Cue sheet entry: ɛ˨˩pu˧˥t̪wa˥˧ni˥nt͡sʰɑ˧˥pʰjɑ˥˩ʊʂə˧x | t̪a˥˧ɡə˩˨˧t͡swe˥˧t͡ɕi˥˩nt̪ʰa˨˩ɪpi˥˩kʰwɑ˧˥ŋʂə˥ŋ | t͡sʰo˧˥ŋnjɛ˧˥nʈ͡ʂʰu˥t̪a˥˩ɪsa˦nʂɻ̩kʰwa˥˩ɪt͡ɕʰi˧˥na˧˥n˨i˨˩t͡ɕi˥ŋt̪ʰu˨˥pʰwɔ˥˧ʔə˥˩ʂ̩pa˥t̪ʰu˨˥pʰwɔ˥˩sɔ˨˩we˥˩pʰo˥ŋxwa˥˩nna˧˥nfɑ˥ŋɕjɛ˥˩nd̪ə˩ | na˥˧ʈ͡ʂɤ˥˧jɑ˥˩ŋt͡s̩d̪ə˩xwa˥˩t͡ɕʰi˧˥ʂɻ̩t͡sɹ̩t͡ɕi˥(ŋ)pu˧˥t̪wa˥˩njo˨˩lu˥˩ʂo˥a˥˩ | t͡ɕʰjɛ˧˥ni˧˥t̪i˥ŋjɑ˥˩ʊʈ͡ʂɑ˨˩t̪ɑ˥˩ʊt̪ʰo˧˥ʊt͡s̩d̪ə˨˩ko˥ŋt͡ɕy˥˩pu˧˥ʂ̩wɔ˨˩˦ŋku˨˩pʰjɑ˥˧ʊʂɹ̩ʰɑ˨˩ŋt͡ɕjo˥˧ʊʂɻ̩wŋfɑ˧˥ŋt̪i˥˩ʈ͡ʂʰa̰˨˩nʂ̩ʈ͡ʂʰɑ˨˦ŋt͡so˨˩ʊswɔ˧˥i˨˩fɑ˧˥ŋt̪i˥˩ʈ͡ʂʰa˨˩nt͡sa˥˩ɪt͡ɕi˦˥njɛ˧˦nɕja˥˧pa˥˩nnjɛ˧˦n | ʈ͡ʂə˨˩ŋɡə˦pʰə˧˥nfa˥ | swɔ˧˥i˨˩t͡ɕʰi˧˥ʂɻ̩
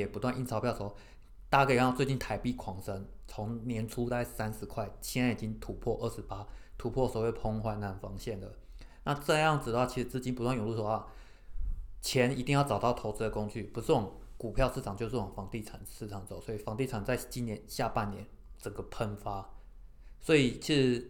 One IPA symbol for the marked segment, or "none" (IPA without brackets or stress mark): n